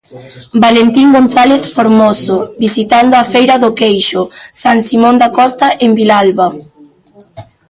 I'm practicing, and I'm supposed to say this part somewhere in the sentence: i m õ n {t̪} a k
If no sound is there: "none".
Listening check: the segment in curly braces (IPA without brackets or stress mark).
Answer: d̪